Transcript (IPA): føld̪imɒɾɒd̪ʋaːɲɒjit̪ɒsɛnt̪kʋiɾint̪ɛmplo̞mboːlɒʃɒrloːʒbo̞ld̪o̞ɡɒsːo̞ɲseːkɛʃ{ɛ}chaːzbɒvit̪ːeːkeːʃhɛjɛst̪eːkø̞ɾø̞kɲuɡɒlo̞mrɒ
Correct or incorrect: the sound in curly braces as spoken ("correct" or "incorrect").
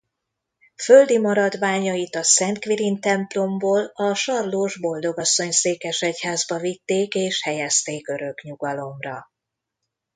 correct